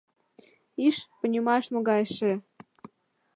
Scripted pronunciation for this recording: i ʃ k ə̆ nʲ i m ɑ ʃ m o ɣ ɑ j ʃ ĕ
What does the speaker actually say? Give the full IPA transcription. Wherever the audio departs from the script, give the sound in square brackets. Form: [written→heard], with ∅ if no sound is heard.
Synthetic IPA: i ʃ [k→p] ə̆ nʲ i m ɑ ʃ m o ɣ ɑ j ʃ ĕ